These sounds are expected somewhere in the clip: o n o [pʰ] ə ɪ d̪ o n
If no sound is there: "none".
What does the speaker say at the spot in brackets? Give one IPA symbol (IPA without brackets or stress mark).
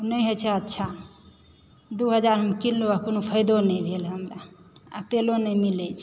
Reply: pʰ